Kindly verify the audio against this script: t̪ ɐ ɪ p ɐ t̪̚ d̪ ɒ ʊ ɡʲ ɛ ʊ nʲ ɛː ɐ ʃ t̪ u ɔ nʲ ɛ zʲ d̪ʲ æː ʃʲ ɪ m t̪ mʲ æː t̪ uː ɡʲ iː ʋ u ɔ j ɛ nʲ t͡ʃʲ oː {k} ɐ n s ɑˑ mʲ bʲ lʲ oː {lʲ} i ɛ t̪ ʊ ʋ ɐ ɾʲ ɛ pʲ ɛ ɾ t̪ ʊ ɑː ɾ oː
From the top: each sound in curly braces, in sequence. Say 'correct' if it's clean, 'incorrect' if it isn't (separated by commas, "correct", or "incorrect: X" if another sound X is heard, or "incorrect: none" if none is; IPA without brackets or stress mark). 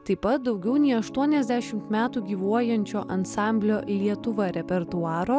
incorrect: ʔ, correct